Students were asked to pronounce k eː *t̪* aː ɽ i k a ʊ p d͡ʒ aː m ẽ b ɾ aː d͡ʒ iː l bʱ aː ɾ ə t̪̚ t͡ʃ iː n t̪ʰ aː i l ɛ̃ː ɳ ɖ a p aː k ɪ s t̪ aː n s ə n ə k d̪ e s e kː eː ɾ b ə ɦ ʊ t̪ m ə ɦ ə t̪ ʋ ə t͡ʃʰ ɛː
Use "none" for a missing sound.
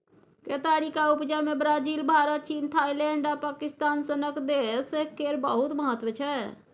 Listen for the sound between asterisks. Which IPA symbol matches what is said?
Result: t̪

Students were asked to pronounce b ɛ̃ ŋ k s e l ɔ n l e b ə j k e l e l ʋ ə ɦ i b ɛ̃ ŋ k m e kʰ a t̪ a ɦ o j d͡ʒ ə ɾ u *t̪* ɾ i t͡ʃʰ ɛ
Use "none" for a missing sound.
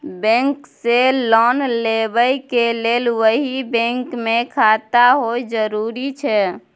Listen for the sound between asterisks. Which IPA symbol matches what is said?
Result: none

